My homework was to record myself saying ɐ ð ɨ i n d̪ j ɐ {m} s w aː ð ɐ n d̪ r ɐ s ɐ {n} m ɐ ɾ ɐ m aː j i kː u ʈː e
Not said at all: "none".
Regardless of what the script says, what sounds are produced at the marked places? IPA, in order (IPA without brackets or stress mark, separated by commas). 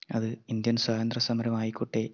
n, none